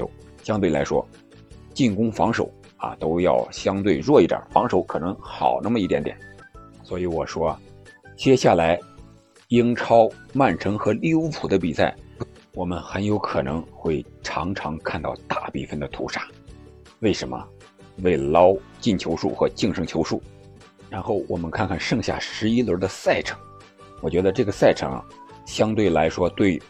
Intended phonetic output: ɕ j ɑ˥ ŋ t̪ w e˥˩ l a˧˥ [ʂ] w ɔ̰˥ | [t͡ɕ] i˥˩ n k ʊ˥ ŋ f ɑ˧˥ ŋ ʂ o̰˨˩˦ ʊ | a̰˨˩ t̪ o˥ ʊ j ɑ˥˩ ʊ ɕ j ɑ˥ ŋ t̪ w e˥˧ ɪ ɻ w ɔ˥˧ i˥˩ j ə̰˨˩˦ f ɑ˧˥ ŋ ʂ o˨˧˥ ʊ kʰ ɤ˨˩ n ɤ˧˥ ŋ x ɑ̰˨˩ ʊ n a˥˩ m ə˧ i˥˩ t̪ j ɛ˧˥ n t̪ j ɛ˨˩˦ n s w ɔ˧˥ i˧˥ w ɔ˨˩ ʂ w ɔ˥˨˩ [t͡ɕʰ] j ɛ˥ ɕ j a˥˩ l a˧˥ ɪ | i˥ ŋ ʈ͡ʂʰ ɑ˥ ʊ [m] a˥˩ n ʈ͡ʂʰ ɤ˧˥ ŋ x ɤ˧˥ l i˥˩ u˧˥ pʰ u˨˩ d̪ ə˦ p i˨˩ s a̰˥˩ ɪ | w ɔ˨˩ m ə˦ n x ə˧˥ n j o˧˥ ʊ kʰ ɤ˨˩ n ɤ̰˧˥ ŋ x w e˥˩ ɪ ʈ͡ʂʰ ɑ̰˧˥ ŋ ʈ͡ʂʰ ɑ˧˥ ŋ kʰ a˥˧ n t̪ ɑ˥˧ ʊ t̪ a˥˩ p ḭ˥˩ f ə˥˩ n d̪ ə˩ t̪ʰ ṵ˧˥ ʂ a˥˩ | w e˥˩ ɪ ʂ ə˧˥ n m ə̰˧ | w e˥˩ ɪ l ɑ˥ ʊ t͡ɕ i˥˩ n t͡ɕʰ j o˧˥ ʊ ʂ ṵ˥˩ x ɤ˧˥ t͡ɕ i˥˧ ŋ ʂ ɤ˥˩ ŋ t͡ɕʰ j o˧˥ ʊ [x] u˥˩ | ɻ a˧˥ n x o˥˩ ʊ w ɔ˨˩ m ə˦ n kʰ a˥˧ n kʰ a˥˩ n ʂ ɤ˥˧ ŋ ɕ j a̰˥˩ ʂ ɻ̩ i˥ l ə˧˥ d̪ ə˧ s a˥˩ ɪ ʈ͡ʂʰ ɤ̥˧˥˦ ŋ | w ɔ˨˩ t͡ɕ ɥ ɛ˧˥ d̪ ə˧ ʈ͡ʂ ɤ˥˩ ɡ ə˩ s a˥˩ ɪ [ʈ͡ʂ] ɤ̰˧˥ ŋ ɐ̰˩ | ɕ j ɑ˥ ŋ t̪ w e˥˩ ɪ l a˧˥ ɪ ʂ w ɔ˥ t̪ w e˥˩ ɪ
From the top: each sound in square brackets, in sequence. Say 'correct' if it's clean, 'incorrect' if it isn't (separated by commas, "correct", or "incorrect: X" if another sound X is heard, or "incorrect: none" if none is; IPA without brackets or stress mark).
correct, correct, incorrect: t͡ɕ, correct, incorrect: ʂ, incorrect: ʈ͡ʂʰ